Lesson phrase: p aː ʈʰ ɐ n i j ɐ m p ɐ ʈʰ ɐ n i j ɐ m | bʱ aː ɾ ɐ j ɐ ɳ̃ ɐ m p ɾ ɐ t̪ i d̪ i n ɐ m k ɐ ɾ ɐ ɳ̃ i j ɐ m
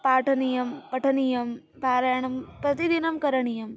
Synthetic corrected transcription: p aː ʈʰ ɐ n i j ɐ m p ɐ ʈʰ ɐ n i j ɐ m | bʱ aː ɾ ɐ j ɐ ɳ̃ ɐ m p ɾ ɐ t̪ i d̪ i n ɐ m k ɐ ɾ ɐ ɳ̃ i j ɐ m